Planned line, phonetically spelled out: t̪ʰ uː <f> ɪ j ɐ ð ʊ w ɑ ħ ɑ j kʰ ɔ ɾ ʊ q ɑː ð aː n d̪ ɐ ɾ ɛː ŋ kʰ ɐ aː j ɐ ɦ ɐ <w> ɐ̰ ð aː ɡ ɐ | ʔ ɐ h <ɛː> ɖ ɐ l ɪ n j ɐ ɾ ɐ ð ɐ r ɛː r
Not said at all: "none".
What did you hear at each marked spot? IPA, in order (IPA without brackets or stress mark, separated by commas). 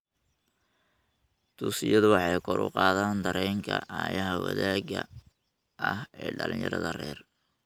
s, w, ɛː